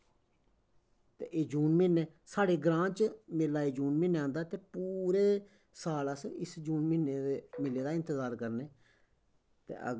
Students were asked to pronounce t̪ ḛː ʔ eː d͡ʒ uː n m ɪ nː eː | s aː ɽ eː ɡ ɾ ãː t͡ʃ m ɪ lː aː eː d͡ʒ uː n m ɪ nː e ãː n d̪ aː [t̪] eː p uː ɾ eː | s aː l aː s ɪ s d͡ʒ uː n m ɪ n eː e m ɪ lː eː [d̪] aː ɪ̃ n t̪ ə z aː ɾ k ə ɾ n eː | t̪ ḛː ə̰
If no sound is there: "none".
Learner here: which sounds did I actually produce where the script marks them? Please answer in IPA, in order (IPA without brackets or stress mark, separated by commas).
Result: t̪, d̪